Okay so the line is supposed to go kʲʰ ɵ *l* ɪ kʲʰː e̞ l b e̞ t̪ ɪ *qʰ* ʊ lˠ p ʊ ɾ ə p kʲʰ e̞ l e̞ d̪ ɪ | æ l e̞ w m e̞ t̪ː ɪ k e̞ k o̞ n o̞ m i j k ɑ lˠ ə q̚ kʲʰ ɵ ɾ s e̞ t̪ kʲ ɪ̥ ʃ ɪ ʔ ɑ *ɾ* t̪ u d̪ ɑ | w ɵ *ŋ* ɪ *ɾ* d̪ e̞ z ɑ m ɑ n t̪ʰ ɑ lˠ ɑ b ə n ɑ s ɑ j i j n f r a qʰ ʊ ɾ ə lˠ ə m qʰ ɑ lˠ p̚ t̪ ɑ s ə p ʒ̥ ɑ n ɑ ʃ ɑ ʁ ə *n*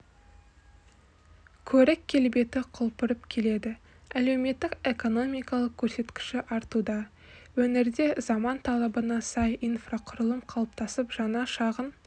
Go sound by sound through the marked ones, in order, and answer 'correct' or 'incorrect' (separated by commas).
incorrect, correct, correct, incorrect, correct, correct